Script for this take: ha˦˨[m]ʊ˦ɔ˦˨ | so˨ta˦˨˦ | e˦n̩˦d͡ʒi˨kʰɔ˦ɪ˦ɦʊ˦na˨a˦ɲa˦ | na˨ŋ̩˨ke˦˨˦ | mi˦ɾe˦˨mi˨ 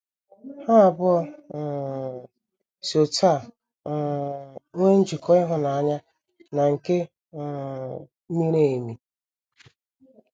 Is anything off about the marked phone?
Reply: yes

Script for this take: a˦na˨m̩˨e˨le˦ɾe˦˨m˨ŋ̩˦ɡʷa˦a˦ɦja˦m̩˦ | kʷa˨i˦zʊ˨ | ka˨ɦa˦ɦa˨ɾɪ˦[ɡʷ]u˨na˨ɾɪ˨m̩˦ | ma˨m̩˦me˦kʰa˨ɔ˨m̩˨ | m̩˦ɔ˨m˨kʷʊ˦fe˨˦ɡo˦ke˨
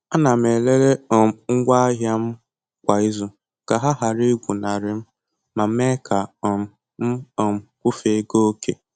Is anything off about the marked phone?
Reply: no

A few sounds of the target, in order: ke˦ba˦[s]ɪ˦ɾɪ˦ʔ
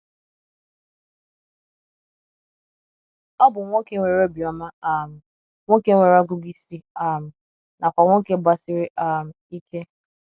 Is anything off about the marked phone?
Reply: no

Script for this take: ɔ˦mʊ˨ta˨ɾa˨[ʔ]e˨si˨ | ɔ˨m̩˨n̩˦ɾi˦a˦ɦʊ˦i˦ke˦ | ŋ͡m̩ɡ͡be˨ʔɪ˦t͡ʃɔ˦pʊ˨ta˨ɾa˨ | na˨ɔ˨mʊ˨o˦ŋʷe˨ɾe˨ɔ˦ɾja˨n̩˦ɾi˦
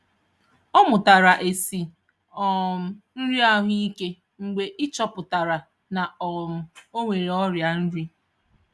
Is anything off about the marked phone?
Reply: no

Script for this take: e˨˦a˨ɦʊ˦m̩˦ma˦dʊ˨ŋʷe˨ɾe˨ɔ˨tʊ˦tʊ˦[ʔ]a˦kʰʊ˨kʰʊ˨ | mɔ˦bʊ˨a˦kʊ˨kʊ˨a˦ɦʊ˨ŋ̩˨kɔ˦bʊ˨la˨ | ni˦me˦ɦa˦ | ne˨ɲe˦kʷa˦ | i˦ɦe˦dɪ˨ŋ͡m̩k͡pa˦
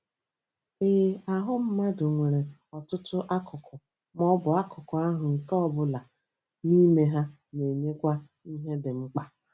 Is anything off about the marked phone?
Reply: no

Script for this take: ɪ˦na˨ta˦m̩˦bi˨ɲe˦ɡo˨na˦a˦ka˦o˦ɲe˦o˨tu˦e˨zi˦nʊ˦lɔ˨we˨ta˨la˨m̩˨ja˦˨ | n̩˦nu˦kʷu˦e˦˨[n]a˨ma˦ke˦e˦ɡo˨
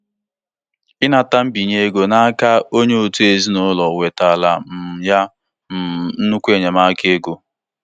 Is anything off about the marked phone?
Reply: yes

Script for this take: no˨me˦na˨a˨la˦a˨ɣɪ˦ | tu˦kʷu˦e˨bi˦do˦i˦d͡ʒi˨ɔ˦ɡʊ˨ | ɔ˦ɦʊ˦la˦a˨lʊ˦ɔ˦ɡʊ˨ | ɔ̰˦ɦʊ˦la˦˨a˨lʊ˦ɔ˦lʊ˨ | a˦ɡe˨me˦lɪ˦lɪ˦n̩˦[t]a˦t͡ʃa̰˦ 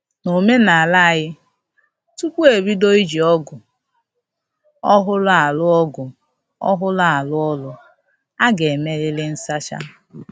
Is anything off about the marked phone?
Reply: yes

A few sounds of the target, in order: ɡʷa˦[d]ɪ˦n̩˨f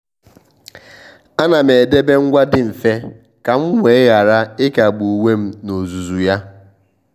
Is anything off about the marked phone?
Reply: no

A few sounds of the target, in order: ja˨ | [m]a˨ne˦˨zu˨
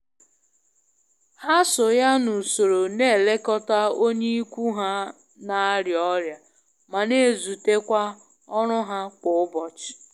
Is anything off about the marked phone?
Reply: no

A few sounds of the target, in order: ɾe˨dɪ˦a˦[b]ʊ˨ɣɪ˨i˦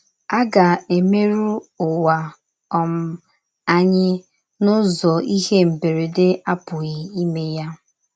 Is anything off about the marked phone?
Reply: yes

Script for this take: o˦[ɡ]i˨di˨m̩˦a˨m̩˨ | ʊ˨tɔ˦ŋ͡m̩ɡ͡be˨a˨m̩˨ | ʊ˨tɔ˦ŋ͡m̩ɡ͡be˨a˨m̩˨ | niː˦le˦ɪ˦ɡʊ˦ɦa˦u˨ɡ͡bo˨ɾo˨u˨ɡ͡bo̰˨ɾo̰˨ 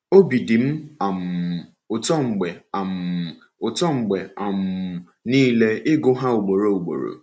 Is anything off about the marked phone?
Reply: yes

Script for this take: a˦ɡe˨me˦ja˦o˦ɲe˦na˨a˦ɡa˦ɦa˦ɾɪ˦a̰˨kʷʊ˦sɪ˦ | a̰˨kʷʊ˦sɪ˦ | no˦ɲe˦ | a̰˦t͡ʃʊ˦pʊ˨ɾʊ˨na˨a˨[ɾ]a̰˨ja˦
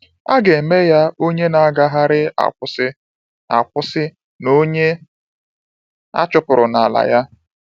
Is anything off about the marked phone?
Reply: yes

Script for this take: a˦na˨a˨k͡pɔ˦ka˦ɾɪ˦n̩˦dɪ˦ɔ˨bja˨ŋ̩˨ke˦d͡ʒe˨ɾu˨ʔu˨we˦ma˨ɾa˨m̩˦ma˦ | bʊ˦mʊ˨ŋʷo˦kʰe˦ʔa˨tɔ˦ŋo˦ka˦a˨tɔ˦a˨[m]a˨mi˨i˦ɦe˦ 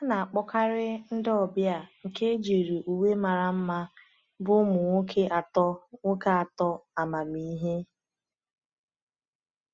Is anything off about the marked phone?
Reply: no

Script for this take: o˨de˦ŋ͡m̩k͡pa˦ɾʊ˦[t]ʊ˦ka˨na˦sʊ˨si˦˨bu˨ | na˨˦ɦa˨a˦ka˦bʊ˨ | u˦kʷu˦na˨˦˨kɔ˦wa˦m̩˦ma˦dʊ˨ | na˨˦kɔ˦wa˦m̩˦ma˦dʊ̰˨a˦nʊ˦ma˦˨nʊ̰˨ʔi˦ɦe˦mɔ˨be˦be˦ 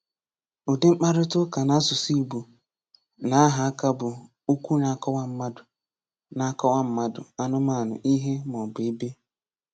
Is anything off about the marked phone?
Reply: no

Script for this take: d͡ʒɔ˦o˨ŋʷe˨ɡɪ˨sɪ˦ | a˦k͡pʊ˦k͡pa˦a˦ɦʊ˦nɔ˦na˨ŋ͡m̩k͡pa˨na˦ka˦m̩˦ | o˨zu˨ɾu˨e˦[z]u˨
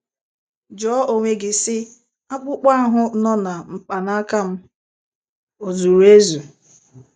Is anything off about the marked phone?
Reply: no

